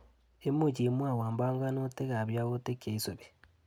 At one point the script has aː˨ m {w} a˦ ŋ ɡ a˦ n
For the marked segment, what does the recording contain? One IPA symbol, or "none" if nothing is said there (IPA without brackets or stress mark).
b